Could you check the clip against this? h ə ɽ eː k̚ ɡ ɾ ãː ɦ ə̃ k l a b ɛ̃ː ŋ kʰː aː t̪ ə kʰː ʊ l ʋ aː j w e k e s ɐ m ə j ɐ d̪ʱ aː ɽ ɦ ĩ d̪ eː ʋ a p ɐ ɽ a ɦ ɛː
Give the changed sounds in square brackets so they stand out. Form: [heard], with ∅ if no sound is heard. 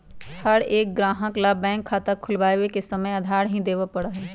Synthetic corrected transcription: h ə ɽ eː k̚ ɡ ɾ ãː ɦ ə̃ k l a b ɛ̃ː ŋ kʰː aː t̪ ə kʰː ʊ l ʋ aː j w e k e s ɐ m ə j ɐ d̪ʱ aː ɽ ɦ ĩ d̪ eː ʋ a p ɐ ɽ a ɦ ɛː